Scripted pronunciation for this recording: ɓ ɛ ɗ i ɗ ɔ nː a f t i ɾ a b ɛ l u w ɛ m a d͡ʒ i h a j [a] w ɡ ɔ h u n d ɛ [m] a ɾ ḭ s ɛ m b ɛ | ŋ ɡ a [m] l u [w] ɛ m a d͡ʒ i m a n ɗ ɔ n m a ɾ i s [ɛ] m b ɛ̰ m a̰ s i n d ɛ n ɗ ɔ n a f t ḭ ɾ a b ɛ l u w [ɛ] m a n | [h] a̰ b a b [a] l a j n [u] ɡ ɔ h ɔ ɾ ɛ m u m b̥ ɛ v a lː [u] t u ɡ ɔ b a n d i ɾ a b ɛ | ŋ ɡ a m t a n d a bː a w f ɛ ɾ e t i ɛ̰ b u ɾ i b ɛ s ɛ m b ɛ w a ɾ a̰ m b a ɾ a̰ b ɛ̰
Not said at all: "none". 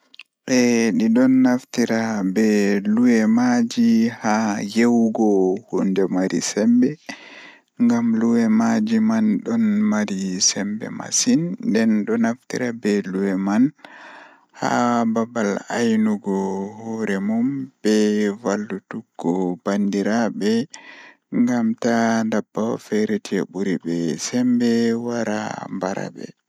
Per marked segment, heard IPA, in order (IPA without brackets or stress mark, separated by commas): e, m, m, w, ɛ, ɛ, h, a, u, u